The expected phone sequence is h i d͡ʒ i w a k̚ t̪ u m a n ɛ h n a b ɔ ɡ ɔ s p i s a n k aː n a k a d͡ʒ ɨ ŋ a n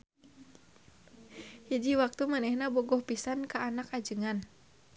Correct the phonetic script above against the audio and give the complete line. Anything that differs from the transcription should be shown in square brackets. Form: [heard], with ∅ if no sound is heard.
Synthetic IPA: h i d͡ʒ i w a k̚ t̪ u m a n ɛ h n a b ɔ ɡ ɔ [h] p i s a n k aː n a k a d͡ʒ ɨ ŋ a n